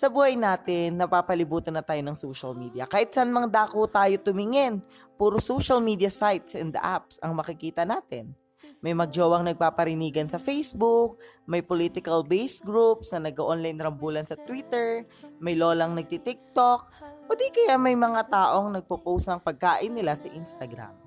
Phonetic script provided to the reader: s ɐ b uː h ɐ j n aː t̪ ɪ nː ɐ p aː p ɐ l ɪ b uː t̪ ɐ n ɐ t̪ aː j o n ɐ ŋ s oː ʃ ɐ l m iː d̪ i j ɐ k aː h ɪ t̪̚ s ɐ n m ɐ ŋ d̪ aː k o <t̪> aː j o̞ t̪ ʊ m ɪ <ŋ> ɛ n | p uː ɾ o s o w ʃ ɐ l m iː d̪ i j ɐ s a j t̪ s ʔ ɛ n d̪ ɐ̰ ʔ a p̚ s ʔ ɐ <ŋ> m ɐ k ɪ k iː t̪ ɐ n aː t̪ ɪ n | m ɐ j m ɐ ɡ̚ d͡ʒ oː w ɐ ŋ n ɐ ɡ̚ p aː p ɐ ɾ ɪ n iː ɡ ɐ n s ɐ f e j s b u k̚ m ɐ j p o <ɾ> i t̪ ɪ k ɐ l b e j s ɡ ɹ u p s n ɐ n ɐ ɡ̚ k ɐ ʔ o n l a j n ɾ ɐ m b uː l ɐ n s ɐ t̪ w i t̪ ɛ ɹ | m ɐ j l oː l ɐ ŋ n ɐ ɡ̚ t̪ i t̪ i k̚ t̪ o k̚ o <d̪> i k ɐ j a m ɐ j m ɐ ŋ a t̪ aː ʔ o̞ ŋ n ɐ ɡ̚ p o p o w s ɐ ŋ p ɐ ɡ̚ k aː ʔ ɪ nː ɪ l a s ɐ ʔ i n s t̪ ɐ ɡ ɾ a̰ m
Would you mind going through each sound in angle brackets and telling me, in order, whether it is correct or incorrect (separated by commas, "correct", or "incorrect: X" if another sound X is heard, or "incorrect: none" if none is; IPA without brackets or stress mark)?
correct, correct, correct, incorrect: l, correct